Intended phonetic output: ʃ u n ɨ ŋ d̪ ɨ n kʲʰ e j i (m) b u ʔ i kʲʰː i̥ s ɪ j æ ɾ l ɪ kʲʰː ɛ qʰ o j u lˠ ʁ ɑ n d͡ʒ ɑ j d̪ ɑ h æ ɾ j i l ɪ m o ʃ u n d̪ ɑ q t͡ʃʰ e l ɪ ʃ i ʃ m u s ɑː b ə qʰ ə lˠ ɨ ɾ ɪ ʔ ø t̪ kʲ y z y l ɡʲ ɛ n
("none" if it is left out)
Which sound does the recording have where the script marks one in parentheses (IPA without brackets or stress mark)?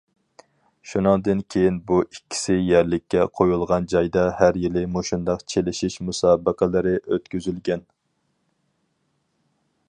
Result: n